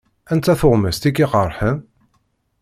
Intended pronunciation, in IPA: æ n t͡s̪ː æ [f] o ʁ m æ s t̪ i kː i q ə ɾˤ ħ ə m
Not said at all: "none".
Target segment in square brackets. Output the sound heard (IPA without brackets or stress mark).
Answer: θ